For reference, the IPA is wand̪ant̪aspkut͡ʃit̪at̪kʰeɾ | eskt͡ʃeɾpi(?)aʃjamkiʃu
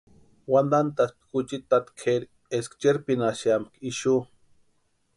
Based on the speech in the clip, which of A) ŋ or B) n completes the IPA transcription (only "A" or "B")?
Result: B